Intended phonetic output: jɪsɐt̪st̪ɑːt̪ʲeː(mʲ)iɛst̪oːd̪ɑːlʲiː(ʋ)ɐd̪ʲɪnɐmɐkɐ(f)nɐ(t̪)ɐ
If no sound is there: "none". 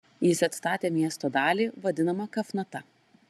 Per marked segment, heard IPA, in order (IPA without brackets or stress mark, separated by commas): mʲ, ʋ, f, t̪